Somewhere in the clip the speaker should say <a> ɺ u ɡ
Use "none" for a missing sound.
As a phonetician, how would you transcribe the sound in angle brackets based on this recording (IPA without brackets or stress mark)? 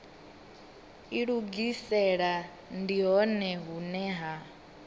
i